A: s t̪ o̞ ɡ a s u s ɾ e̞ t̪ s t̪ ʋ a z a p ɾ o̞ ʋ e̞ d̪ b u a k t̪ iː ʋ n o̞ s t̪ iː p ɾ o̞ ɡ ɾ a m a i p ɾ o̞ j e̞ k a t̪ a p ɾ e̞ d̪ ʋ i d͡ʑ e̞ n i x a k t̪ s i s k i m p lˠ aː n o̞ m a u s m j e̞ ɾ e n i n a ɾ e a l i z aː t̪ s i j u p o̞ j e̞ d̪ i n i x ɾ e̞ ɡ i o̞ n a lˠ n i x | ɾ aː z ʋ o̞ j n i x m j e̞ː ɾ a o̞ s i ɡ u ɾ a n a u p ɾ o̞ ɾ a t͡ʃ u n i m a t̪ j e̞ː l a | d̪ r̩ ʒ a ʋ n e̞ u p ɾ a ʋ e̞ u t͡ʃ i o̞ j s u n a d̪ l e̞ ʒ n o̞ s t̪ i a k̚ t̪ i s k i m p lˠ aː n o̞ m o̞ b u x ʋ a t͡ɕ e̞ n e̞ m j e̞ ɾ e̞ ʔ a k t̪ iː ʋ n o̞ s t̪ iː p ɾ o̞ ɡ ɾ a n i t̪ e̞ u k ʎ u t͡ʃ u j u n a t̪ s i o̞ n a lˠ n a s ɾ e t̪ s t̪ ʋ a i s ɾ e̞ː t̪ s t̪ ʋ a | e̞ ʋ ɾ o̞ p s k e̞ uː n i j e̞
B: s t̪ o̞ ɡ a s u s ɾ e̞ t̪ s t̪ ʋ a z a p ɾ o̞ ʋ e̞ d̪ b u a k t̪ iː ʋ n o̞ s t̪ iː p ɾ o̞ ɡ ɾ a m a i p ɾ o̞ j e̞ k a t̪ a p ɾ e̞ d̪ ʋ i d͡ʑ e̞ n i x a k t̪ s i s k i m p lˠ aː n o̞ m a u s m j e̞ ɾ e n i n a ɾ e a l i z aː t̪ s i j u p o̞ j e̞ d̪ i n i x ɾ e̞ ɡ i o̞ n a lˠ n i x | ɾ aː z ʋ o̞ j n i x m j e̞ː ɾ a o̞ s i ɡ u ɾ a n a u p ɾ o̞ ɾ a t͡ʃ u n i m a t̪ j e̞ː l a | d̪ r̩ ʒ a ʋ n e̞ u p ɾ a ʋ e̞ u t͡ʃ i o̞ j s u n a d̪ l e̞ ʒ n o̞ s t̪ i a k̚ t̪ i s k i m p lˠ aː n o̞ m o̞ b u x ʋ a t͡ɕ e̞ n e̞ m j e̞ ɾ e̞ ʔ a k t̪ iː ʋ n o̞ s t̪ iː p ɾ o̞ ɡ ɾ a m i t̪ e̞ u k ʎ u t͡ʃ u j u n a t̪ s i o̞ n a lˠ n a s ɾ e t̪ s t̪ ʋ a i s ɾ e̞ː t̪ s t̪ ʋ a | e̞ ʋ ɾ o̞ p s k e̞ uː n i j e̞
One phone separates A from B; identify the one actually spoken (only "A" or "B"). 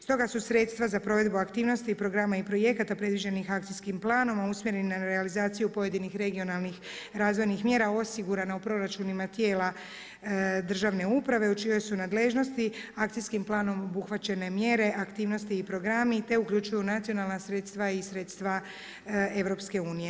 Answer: B